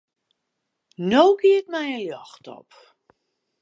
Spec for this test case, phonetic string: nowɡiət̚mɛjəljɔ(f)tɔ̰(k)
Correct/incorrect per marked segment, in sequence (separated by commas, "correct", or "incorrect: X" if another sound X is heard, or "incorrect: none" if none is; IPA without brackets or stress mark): incorrect: x, incorrect: p